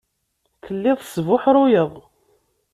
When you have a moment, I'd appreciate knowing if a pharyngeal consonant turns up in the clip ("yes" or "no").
yes